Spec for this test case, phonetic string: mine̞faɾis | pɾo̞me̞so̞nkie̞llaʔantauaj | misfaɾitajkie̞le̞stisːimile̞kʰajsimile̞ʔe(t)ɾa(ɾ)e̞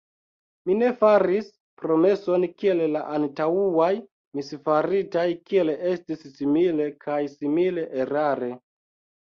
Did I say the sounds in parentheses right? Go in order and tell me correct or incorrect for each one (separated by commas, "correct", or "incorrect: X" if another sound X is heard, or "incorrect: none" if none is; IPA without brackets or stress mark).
incorrect: none, correct